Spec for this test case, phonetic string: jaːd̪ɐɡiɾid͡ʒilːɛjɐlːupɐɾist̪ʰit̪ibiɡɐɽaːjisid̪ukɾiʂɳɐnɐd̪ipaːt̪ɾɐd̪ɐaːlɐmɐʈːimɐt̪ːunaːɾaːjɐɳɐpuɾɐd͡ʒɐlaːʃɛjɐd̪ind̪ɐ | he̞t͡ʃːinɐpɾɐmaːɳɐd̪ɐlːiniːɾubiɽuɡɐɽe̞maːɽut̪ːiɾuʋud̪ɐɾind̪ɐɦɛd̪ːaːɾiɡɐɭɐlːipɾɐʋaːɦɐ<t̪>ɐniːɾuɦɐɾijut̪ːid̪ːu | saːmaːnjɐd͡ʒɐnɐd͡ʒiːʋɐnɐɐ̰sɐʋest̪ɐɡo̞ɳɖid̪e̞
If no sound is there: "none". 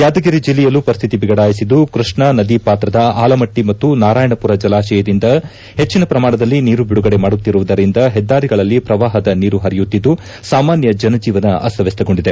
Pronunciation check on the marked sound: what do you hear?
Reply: d̪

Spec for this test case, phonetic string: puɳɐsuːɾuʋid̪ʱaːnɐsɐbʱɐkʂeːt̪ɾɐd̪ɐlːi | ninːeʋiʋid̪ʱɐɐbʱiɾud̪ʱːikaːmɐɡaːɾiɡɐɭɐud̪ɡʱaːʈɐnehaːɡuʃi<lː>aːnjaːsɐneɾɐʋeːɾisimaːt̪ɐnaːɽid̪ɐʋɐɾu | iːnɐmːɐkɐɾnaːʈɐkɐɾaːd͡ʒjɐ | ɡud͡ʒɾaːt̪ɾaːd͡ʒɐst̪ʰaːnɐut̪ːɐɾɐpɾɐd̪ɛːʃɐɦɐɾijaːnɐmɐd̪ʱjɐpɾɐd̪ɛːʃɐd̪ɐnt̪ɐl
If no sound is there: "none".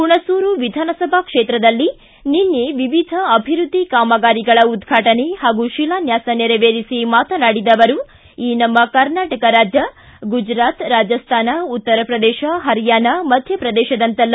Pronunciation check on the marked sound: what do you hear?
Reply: l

